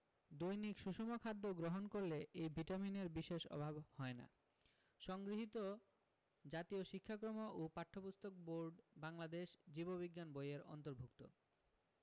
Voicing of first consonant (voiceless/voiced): voiced